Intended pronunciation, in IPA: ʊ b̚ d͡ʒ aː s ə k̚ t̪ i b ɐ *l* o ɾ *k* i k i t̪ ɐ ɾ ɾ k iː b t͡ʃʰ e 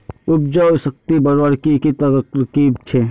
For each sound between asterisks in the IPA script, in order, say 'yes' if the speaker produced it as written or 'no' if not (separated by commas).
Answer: no, yes